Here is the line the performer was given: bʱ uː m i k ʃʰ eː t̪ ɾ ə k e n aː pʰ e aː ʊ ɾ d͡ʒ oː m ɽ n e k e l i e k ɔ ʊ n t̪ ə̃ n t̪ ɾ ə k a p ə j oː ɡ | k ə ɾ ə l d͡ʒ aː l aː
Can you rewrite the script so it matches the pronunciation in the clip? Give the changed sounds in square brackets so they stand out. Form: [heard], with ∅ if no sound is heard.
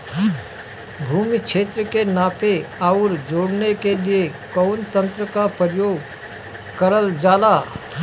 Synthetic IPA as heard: bʱ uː m i k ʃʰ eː t̪ ɾ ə k e n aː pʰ e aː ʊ ɾ d͡ʒ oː [∅] ɽ n e k e l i e k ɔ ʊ n t̪ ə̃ n t̪ ɾ ə k a p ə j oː ɡ | k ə ɾ ə l d͡ʒ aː l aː